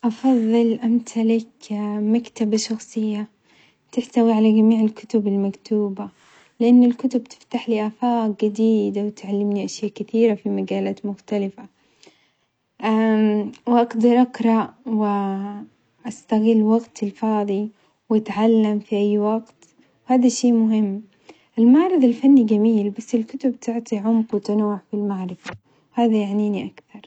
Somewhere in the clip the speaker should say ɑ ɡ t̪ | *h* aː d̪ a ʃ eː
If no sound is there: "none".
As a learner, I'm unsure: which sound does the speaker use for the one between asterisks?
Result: h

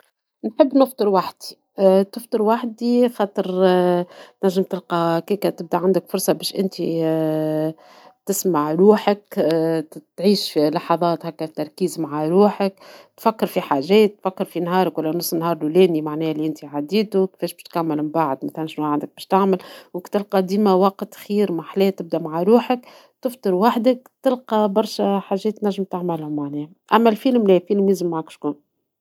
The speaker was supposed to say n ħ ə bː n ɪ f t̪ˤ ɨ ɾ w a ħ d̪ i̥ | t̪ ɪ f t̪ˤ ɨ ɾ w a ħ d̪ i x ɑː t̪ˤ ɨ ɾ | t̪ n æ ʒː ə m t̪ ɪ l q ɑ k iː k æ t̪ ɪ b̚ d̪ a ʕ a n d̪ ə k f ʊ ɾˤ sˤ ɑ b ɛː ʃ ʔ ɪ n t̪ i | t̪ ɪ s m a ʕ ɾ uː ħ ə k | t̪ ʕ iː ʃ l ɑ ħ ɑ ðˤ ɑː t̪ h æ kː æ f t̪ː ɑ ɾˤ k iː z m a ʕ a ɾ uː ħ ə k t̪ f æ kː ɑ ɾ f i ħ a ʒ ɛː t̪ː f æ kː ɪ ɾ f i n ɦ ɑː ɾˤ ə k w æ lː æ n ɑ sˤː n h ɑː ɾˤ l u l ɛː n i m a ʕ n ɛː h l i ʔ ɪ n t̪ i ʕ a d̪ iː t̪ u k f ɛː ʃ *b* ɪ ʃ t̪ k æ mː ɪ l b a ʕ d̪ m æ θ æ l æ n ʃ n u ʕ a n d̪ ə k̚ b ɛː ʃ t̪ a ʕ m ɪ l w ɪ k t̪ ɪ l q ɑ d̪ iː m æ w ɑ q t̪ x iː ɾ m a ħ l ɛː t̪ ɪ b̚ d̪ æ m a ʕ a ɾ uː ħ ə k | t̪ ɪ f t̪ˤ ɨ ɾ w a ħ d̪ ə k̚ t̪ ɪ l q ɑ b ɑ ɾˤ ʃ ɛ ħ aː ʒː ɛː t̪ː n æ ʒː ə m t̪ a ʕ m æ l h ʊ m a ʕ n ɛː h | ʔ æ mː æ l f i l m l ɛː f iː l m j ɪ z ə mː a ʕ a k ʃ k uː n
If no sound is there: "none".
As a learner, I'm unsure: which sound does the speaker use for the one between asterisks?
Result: b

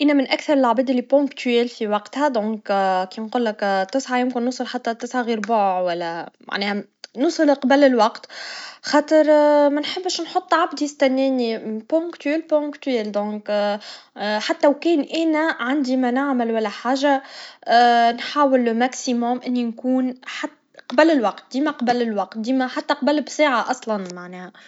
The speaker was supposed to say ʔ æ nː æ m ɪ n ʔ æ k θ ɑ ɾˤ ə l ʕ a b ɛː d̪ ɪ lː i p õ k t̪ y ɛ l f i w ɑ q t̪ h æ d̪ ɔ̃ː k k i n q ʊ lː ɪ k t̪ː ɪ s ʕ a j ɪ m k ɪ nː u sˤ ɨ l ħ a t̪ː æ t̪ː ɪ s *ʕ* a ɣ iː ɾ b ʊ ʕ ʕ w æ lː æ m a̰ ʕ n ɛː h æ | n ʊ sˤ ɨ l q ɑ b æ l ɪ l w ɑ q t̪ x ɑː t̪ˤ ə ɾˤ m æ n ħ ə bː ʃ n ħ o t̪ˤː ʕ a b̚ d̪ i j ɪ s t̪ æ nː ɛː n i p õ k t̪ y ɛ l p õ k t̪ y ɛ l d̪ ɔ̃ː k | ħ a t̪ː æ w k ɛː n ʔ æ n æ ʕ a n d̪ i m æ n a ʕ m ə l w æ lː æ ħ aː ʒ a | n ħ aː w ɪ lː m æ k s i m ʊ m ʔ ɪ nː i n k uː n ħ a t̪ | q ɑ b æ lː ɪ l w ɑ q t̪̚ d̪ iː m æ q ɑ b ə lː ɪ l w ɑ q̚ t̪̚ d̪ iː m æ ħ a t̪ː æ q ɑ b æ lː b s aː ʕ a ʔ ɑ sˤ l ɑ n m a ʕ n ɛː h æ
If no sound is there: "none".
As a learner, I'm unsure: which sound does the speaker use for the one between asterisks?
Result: ʕ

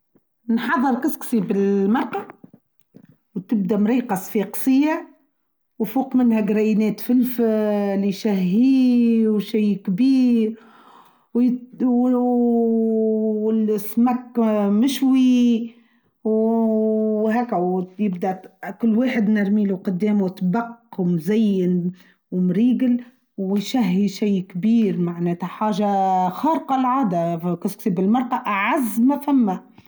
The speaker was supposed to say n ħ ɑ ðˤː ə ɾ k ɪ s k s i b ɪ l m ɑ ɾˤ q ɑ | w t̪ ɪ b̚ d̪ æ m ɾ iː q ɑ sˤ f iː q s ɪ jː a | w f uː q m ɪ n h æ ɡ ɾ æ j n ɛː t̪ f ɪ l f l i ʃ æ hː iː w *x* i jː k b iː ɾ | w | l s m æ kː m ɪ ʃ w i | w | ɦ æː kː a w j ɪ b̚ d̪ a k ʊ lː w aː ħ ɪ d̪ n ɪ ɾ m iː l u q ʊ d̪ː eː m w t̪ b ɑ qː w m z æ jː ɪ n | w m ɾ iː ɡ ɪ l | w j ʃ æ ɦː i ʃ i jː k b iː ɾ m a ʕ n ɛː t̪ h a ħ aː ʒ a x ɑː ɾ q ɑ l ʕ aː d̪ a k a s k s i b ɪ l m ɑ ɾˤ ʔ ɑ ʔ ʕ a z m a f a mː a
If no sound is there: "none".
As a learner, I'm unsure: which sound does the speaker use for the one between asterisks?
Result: ʃ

